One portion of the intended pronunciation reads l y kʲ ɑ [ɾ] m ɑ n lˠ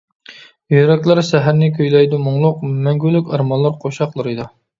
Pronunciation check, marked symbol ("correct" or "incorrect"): correct